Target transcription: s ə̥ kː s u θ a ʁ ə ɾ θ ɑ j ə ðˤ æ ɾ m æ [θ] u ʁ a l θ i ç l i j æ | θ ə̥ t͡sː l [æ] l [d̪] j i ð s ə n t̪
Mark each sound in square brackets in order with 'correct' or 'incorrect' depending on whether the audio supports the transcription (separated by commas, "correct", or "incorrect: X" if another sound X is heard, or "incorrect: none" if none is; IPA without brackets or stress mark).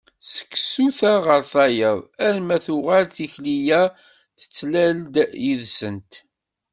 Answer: correct, correct, correct